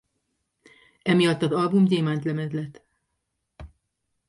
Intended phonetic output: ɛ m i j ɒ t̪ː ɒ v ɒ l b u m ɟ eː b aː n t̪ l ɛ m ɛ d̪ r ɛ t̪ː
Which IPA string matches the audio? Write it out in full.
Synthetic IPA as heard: ɛ m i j ɒ t̪ː ɒ z ɒ l b u m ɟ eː m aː n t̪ l ɛ m ɛ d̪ l ɛ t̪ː

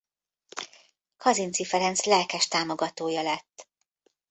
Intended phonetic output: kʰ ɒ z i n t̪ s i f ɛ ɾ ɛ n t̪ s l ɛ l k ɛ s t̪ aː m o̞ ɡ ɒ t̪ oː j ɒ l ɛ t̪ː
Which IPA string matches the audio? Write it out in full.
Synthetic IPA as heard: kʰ ɒ z i n t̪ s i f ɛ ɾ ɛ n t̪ s l ɛ l k ɛ ʃ t̪ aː m o̞ ɡ ɒ t̪ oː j ɒ l ɛ t̪ː

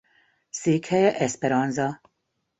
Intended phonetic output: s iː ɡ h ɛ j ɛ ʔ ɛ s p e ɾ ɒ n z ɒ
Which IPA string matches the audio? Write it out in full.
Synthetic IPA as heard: s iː k h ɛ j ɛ ʔ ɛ s p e ɾ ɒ n z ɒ

